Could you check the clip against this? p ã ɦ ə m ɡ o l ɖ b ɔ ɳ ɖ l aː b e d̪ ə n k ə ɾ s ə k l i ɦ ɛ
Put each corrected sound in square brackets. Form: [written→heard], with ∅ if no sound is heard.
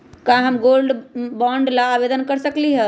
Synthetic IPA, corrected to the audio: [p→k] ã ɦ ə m ɡ o l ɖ b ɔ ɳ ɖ l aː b e d̪ ə n k ə ɾ s ə k l i ɦ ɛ